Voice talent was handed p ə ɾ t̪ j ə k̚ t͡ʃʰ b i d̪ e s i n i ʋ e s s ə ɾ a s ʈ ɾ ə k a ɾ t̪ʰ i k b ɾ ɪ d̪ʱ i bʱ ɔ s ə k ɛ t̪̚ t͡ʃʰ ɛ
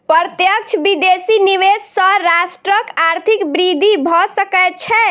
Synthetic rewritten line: p ə ɾ t̪ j ə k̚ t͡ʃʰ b i d̪ e s i n i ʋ e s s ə ɾ a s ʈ ɾ ə k a ɾ t̪ʰ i k b ɾ i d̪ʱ i bʱ ɔ s ə k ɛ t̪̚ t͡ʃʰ ɛ